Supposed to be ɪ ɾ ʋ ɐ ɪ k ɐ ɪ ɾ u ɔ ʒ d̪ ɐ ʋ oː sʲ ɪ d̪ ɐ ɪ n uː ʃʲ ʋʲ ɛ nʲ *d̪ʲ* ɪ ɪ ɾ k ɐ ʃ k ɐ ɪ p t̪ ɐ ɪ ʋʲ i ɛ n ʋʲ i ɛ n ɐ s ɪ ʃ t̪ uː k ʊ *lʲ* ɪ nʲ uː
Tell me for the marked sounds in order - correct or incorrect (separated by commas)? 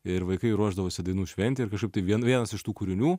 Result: incorrect, incorrect